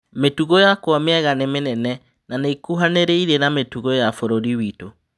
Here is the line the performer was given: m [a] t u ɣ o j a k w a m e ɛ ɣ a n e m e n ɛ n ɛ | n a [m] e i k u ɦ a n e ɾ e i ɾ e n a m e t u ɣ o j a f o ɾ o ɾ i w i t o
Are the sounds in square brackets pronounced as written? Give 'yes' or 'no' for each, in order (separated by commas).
no, no